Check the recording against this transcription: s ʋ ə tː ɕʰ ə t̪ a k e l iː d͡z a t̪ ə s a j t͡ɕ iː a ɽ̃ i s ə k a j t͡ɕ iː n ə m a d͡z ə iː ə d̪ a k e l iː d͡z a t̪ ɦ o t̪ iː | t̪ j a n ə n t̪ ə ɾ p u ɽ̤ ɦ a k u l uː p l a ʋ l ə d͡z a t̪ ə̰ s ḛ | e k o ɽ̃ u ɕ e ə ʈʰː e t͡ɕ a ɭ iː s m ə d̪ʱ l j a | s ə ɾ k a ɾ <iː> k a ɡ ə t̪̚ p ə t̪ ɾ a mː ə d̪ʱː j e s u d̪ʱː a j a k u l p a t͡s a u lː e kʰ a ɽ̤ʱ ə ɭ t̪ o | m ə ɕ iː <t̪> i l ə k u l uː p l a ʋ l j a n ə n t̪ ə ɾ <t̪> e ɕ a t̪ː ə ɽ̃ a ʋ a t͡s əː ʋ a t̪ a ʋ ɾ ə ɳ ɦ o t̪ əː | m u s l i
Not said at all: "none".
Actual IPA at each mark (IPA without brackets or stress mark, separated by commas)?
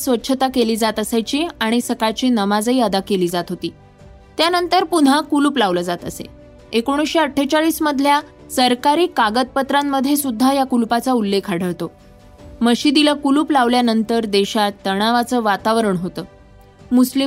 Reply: iː, d̪, d̪